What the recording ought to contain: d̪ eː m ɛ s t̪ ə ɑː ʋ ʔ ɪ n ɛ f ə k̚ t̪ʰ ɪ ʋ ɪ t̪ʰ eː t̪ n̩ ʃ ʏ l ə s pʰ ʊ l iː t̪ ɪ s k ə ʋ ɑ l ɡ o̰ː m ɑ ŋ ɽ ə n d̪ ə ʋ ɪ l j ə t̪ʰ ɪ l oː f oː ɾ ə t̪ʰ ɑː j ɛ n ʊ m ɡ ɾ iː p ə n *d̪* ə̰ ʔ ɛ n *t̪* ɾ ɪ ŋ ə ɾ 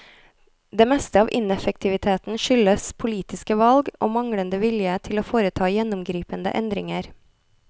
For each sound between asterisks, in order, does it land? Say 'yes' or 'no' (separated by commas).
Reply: yes, no